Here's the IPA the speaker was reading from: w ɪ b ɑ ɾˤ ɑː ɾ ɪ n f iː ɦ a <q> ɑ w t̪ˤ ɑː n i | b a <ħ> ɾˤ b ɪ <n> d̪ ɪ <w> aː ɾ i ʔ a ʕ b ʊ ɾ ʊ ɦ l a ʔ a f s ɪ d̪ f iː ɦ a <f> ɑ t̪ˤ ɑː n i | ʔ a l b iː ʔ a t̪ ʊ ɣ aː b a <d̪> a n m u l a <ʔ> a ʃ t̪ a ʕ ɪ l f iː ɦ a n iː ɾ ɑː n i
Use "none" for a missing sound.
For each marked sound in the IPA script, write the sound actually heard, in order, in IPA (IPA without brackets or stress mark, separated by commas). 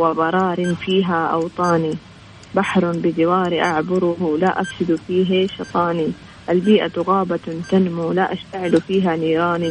ʔ, ħ, none, w, ʃ, t̪, ʔ